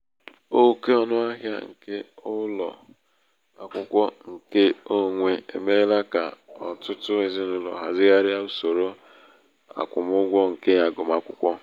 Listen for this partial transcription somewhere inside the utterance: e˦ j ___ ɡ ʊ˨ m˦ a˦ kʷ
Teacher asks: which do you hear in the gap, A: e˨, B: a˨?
B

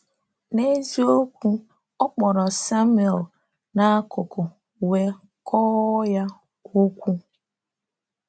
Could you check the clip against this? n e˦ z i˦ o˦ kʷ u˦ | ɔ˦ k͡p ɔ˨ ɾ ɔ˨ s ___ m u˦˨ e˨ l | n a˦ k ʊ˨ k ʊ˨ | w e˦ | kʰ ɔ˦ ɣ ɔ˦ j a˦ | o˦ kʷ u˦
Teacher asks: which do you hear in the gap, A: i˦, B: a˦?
B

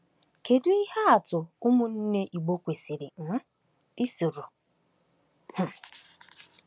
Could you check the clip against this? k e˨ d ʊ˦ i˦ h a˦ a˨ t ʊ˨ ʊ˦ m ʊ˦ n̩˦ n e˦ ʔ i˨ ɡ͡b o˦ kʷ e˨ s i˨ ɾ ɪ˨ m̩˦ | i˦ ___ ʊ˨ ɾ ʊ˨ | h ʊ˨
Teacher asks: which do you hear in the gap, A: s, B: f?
A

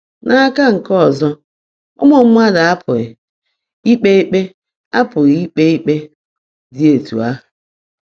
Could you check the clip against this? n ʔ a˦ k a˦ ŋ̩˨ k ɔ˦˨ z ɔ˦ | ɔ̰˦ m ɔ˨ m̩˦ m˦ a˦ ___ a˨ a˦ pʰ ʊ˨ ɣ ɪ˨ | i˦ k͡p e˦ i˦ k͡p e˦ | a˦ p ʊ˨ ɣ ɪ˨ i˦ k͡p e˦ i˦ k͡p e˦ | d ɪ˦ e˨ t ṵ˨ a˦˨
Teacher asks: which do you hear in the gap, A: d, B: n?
A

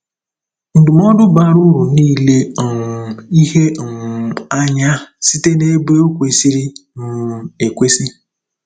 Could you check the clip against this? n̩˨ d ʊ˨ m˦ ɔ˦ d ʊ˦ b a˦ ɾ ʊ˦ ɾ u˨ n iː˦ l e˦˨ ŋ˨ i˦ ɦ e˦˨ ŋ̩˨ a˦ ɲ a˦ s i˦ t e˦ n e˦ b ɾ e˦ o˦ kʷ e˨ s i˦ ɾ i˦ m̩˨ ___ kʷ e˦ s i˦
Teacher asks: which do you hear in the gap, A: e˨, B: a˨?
A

